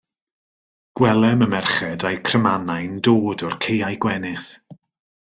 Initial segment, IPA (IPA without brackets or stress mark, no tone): ɡ̥